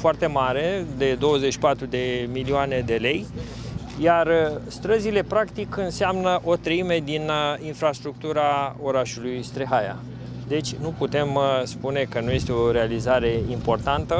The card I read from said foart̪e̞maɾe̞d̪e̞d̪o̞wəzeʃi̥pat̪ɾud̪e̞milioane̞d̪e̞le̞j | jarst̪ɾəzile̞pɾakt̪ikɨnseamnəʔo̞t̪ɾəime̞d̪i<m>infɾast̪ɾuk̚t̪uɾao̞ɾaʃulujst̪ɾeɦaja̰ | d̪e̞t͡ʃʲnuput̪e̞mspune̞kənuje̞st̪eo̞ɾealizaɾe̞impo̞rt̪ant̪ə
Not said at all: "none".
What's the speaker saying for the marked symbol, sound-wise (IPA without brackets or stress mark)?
n